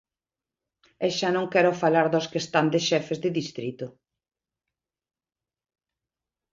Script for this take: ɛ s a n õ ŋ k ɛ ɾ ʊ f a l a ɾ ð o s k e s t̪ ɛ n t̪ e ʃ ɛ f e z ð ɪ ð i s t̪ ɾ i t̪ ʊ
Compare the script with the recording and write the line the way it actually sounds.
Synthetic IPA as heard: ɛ ʃ a n õ ŋ k ɛ ɾ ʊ f a l a ɾ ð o s k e s t̪ a n d̪ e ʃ ɛ f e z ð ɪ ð i s t̪ ɾ i t̪ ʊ